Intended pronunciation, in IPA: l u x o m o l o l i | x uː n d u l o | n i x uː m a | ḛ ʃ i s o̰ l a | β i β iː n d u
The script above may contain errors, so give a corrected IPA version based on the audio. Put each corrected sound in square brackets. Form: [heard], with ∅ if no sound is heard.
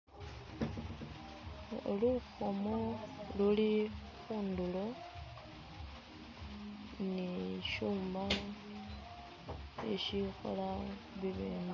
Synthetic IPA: l u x o m o l [u] l i | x uː n d u l o | n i [ʃ] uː m a | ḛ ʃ i [x] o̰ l a | β i β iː n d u